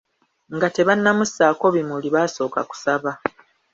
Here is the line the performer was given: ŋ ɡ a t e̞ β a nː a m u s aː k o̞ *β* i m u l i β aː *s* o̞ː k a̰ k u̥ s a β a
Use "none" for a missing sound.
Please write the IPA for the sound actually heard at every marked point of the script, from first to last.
β, s

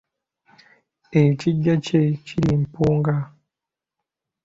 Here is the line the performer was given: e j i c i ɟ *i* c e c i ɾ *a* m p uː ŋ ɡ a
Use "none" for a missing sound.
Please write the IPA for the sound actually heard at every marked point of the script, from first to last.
a, i

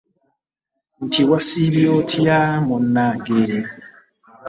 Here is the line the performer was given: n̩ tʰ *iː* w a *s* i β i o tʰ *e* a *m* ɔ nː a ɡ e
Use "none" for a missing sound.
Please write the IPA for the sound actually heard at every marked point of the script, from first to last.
i, s, i, m

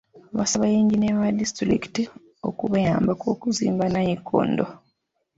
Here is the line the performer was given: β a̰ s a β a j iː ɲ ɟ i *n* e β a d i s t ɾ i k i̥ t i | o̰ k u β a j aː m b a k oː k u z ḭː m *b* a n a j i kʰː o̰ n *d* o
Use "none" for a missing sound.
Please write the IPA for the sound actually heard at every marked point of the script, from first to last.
n, b, d

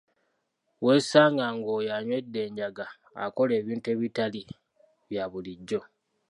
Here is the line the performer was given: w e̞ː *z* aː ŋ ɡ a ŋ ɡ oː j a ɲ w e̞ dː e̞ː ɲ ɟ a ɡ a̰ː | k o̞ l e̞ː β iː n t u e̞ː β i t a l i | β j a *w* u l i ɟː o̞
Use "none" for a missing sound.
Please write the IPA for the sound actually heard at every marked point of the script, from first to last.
s, β

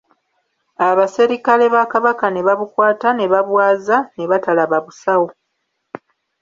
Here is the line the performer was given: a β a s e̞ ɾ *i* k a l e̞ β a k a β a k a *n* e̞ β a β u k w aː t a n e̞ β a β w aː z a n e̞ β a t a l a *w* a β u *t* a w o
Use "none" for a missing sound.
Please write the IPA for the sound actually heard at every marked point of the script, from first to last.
i, n, β, s

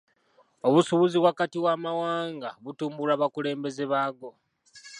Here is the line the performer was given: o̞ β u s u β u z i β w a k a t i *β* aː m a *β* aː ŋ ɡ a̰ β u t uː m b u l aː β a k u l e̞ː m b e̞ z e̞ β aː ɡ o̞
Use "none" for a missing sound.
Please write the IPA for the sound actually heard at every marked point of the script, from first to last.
w, w

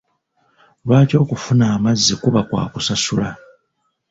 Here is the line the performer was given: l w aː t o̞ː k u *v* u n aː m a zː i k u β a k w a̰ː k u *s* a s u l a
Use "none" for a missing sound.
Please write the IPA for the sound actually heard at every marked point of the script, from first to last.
f, s

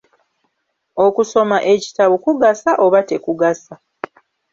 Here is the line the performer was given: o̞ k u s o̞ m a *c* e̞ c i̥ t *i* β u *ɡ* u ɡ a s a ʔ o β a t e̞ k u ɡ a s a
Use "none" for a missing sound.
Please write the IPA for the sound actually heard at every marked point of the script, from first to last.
ʔ, a, k

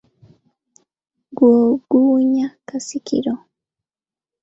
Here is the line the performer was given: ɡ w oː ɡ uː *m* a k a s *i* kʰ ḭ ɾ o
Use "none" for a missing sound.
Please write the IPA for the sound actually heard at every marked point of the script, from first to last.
ɲ, i

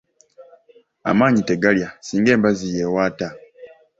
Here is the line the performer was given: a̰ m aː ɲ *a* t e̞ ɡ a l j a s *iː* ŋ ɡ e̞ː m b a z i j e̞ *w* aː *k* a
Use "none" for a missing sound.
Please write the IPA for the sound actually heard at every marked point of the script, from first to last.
i, iː, w, t

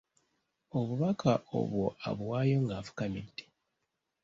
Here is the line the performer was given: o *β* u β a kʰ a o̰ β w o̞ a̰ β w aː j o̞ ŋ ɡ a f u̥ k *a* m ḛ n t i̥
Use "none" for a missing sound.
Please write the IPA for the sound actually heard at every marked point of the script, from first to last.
β, a

